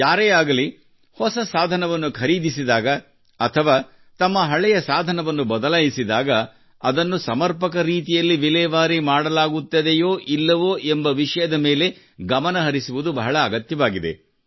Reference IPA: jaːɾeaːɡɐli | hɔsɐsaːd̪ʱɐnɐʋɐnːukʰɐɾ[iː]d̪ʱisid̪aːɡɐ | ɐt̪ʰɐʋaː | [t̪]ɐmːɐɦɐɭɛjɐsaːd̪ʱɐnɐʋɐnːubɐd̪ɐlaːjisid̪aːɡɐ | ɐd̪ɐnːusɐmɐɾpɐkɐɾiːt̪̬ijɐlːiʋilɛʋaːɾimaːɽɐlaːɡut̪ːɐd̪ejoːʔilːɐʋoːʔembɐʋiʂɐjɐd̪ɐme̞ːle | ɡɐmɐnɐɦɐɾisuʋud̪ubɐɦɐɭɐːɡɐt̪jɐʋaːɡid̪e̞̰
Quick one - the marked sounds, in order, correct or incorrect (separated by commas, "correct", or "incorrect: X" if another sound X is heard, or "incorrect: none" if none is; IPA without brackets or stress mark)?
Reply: correct, correct